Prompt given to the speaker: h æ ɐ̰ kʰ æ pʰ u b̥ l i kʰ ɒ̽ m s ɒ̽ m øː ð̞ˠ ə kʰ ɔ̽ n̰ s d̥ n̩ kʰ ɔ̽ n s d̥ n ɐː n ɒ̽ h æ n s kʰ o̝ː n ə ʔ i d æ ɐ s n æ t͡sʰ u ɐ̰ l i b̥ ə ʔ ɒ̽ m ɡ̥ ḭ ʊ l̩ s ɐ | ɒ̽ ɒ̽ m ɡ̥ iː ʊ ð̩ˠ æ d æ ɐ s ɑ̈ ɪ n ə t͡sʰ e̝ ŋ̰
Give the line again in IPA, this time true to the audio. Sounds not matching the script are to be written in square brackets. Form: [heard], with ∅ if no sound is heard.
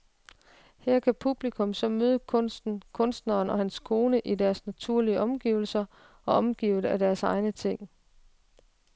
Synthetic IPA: h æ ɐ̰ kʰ æ pʰ u b̥ l i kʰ [ɔ̽] m s ɒ̽ m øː ð̞ˠ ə kʰ ɔ̽ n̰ s d̥ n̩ kʰ ɔ̽ n s d̥ n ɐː n ɒ̽ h æ n s kʰ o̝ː n ə ʔ i d æ ɐ s n æ t͡sʰ u ɐ̰ l i [∅] ə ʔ ɒ̽ m ɡ̥ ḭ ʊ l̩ s ɐ | ɒ̽ ɒ̽ m ɡ̥ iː ʊ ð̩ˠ æ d æ ɐ s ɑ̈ ɪ n ə t͡sʰ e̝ ŋ̰